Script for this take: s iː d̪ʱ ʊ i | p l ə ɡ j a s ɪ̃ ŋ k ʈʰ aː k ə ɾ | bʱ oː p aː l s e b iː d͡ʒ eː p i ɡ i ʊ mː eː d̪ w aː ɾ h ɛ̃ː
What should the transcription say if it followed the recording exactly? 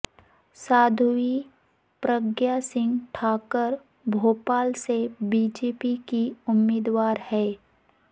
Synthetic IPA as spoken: s aː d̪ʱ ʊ i | p ɾ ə ɡ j a s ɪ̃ ŋ ɡ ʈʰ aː k ə ɾ | bʱ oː p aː l s e b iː d͡ʒ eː p i k i ʊ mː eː d̪ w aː ɾ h ɛː

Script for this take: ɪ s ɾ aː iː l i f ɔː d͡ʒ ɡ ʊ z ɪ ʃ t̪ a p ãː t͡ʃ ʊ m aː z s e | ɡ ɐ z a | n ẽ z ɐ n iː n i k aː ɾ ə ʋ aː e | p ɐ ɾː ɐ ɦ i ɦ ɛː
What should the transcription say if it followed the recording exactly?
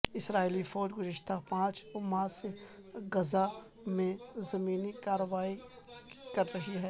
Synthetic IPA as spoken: ɪ s ɾ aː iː l i f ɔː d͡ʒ ɡ ʊ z ɪ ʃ t̪ a p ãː t͡ʃ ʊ m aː s e | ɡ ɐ z a | m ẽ z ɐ m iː n i k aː ɾ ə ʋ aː i | k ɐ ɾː ɐ ɦ i ɦ ɛː

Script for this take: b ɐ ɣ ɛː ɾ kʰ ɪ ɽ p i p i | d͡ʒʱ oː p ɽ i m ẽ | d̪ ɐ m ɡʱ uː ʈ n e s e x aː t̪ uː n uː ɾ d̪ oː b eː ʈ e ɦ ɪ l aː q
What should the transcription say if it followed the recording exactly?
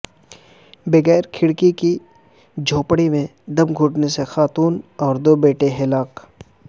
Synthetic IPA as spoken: b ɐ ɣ ɛː ɾ kʰ ɪ ɽ k i k i | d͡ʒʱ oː p ɽ i m ẽ | d̪ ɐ m ɡʱ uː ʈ n e s e x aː t̪ uː n ɔː ɾ d̪ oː b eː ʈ e ɦ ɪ l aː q

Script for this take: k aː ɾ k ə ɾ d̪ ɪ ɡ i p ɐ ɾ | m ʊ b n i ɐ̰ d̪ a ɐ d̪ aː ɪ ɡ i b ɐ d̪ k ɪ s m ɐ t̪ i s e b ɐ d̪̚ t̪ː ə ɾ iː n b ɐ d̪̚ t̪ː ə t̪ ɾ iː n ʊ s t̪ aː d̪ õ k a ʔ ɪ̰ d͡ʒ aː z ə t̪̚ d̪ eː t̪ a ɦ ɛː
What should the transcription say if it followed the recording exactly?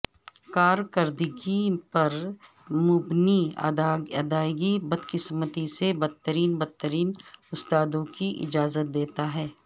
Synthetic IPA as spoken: k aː ɾ k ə ɾ d̪ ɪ ɡ i p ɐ ɾ | m ʊ b n i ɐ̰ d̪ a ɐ d̪ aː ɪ ɡ i b ɐ d̪ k ɪ s m ə t̪ i s e b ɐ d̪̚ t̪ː ə ɾ iː n b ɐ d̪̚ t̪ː ə ɾ iː n ʊ s t̪ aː d̪ õ k i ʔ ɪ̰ d͡ʒ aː z ə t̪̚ d̪ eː t̪ a ɦ ɛː

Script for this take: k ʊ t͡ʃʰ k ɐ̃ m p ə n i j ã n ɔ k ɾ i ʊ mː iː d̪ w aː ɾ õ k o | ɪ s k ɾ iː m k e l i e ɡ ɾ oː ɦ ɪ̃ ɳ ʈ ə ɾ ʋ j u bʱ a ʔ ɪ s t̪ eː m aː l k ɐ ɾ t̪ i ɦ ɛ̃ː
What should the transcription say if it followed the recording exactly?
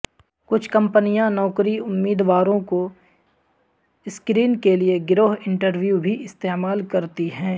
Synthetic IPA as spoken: k ʊ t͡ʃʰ k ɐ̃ m p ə n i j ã n ɔː k ɾ i ʊ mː iː d̪ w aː ɾ õ k o | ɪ s k ɾ iː n k e l i e ɡ ɾ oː ɦ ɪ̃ ɳ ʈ ə ɾ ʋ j u bʱ i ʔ ɪ s t̪ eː m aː l k ɐ ɾ t̪ i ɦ ɛ̃ː

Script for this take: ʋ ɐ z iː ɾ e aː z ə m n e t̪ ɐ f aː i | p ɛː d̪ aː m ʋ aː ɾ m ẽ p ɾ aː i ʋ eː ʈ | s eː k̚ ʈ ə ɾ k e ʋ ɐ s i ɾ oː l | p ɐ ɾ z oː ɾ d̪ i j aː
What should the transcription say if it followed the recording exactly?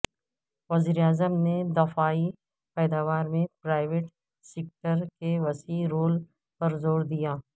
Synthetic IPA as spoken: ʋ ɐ z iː ɾ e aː z ə m n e d̪ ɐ f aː i | p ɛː d̪ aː ʋ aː ɾ m ẽ p ɾ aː ɪ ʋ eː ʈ | s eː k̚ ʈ ə ɾ k e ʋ ɐ s i ɾ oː l | p ɐ ɾ z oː ɾ d̪ i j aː

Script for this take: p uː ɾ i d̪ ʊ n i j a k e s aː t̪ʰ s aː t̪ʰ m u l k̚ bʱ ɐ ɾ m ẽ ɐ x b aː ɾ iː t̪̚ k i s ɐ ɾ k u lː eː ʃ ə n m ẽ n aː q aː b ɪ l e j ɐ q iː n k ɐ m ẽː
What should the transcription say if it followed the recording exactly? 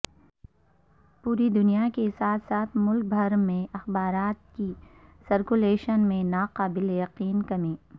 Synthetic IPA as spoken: p uː ɾ i d̪ ʊ n i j a k e s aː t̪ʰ s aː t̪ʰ m ʊ l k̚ bʱ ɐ ɾ m ẽ ɐ x b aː ɾ aː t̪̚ k i s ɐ ɾ k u l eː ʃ ə n m ẽ n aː q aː b ɪ l e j ɐ q iː n k ɐ m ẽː

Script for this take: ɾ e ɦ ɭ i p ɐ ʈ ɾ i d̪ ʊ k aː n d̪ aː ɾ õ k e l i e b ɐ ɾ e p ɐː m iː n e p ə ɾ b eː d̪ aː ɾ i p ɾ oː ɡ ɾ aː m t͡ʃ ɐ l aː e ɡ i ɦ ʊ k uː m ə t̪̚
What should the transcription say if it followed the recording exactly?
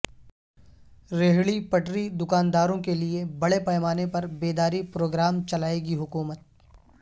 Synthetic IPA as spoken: ɾ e ɦ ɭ i p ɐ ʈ ɾ i d̪ ʊ k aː n d̪ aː ɾ õ k e l i e b ɐ ɽ e p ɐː m aː n e p ɐ ɾ b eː d̪ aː ɾ i p ɾ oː ɡ ɾ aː m t͡ʃ ɐ l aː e ɡ i ɦ ʊ k uː m ə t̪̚

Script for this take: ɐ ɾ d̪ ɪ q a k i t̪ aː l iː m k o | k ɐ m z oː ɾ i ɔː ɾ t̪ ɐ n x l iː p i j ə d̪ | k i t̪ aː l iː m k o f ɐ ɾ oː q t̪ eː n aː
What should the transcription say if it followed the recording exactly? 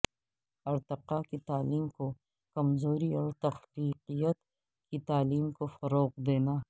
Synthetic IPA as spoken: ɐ ɾ t̪ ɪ q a k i t̪ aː l iː m k o | k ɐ m z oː ɾ i ɔː ɾ t̪ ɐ x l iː q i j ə t̪ | k i t̪ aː l iː m k o f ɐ ɾ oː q d̪ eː n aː

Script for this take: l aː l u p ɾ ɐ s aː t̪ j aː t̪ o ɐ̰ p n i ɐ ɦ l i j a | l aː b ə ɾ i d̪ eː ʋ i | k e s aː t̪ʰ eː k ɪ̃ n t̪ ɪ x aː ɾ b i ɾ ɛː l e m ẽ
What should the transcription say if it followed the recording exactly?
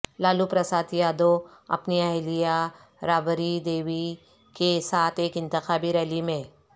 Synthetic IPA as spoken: l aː l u p ɾ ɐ s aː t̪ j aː d̪ o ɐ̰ p n i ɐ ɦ l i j a | ɾ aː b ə ɾ i d̪ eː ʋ i | k e s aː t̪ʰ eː k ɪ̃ n t̪ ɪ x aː b i ɾ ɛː l i m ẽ

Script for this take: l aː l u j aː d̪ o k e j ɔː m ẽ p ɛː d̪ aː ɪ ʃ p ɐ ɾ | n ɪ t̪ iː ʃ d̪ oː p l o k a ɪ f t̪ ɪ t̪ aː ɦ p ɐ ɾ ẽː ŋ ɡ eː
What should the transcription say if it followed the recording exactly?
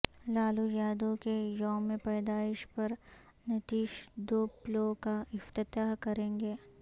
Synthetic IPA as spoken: l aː l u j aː d̪ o k e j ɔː m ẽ p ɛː d̪ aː ɪ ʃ p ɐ ɾ | n ɪ t̪ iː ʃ d̪ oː p l o k a ɪ f t̪ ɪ t̪ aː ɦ k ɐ ɾ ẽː ŋ ɡ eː

